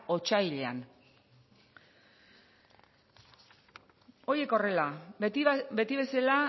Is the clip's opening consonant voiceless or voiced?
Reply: voiceless